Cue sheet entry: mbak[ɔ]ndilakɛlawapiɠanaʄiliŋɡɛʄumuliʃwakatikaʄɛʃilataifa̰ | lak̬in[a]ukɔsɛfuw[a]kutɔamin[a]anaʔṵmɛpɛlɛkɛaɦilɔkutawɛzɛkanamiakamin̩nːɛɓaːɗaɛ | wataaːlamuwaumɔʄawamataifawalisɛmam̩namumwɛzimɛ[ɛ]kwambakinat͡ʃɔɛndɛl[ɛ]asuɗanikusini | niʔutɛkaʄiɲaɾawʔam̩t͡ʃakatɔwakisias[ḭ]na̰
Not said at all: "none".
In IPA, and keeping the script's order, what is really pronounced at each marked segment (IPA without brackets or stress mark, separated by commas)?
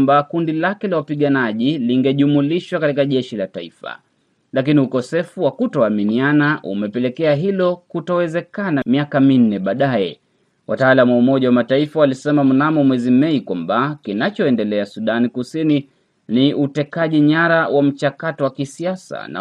u, i, a, i, i, ɛ, a̰